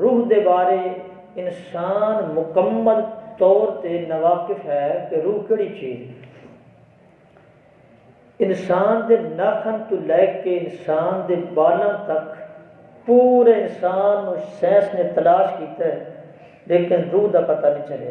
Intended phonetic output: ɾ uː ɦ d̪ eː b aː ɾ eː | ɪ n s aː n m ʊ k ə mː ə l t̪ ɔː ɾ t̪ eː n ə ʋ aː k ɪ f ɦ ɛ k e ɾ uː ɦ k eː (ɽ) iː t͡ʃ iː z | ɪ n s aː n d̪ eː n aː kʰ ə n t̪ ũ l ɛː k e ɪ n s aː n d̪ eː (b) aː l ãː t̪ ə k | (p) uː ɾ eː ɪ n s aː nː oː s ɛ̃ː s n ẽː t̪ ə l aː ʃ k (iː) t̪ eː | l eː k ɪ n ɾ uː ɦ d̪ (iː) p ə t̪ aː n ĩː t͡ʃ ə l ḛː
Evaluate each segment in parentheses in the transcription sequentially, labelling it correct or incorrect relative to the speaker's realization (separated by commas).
correct, correct, correct, correct, incorrect